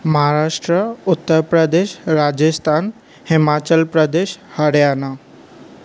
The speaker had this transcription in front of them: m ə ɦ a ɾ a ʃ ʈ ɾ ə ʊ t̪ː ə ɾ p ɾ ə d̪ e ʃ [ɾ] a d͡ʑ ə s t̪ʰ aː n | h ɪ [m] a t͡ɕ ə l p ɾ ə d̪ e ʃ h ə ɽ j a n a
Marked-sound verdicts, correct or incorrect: correct, correct

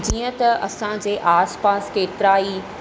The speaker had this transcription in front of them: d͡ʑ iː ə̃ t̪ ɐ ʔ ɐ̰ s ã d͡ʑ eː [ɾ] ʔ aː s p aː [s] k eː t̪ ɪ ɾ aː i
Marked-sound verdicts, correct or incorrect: incorrect: none, correct

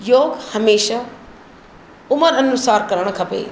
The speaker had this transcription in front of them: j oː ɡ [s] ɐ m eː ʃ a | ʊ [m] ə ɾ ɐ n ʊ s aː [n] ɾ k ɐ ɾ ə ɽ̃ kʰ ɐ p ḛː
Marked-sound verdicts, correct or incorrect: incorrect: h, correct, incorrect: none

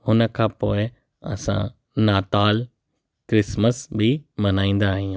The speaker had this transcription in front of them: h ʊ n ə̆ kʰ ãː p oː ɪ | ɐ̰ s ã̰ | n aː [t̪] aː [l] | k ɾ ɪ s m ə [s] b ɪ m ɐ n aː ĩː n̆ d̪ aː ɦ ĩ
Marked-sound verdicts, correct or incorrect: correct, correct, correct

